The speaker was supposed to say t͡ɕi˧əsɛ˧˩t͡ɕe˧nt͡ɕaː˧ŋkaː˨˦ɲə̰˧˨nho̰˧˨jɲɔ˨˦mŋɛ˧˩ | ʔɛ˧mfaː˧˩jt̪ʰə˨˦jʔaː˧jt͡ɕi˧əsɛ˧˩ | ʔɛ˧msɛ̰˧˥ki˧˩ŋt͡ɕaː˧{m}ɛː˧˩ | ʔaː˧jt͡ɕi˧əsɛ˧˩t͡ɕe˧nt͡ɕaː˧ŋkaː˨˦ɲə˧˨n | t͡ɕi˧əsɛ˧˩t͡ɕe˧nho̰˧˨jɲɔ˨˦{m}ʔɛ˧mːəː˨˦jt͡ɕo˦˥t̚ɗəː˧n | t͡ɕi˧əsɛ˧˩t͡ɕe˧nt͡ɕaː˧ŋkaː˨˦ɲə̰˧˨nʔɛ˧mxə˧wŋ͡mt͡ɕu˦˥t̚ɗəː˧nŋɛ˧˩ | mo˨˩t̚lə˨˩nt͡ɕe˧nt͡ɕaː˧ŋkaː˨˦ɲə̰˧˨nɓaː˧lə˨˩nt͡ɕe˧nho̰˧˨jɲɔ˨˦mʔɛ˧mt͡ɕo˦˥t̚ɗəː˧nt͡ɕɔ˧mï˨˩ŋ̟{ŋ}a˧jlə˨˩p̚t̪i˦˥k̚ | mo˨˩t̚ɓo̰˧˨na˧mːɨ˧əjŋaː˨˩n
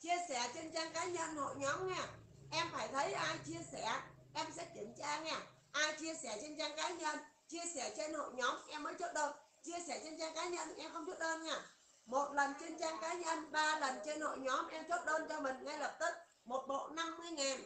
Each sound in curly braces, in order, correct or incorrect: incorrect: ŋ, correct, correct

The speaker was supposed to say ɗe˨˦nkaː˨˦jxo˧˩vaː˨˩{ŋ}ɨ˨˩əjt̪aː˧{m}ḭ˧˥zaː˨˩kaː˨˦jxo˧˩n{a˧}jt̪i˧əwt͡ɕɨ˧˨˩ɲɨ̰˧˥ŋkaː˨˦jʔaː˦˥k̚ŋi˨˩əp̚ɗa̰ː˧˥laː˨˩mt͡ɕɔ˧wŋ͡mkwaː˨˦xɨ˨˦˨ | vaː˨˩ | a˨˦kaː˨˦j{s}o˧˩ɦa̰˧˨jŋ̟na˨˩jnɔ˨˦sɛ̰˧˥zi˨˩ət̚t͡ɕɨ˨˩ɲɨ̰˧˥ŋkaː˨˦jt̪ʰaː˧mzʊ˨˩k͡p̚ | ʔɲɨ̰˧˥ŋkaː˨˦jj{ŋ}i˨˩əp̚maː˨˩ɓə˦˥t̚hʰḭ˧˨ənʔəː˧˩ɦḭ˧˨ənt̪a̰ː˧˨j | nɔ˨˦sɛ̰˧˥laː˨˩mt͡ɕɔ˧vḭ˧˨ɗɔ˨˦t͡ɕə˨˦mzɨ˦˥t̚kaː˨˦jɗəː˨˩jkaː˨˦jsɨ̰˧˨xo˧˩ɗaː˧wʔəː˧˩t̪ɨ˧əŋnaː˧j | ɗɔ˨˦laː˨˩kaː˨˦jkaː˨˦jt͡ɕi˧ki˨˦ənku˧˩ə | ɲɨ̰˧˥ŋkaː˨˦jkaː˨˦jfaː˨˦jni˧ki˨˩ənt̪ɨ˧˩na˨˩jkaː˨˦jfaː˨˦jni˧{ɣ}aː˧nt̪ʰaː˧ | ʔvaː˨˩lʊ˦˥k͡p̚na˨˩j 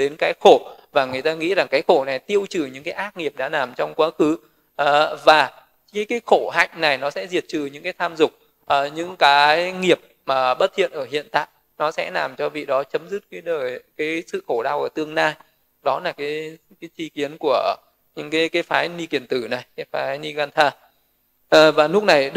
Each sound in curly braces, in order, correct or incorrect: correct, incorrect: ŋ, incorrect: a˨˩, incorrect: x, correct, correct

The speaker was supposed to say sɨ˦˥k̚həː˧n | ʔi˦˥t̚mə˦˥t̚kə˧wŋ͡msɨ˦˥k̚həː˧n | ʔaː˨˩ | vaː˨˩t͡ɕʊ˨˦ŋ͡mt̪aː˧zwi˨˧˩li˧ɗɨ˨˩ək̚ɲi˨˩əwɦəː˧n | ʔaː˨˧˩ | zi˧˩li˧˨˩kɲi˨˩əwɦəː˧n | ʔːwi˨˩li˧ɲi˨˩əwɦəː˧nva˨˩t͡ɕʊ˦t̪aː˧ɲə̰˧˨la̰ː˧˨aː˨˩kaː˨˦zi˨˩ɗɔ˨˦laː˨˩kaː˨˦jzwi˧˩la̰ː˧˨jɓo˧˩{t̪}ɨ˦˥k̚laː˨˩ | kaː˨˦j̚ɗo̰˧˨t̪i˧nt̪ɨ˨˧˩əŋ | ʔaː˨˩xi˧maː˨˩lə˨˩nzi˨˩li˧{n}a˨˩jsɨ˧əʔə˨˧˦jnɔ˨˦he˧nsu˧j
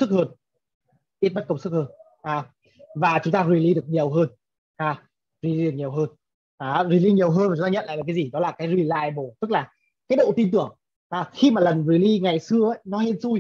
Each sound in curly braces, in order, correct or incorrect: correct, incorrect: ŋ

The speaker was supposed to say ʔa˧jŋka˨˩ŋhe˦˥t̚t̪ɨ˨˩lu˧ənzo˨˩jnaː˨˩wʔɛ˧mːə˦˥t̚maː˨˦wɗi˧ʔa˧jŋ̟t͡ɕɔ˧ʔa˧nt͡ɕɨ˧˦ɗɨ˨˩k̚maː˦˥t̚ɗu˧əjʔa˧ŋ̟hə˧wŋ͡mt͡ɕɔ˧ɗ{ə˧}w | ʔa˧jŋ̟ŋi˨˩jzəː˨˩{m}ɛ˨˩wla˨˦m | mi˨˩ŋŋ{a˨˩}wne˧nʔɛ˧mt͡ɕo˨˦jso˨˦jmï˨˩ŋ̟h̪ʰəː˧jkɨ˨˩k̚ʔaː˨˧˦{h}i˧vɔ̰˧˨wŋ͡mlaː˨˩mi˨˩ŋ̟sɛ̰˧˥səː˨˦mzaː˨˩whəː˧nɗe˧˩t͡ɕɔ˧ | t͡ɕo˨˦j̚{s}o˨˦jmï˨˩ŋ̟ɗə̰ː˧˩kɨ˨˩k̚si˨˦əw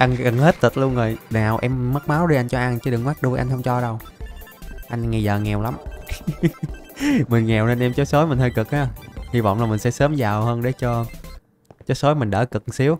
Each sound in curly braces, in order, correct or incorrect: correct, incorrect: ŋ, incorrect: ɛ˨˩, correct, correct

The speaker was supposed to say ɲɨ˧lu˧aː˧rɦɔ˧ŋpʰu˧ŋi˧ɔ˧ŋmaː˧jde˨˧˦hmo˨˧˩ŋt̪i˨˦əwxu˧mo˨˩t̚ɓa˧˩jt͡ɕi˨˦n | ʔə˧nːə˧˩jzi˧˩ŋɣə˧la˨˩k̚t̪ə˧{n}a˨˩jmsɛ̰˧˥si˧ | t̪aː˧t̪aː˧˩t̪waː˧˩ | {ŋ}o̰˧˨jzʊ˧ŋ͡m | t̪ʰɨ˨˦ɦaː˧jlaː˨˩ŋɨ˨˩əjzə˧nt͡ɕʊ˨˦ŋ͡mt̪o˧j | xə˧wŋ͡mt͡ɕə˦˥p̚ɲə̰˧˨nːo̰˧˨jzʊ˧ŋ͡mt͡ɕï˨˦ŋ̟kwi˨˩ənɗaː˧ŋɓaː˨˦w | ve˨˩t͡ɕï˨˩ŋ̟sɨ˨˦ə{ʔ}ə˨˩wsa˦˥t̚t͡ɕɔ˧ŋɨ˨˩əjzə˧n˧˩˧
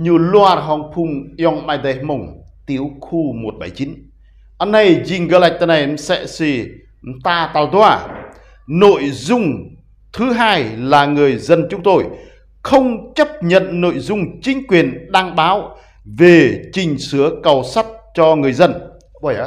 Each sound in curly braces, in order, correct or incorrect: correct, incorrect: n, incorrect: k

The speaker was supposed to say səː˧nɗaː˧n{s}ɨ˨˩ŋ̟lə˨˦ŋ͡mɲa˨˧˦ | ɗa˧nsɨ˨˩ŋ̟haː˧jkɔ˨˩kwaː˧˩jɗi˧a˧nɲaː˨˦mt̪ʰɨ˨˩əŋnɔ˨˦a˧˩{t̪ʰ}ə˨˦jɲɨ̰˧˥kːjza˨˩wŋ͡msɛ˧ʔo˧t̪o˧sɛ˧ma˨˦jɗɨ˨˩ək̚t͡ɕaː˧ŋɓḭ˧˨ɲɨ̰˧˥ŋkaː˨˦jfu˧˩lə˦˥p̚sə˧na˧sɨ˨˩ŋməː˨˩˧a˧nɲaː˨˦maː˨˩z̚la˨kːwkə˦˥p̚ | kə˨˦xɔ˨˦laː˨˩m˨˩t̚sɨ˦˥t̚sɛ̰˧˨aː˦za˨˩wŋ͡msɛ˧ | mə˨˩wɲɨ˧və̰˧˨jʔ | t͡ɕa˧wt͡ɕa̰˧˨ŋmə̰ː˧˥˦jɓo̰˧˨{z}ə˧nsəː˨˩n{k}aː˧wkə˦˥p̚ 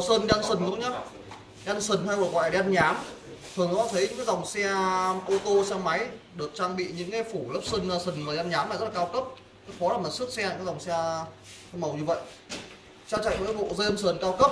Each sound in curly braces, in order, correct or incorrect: correct, correct, correct, correct

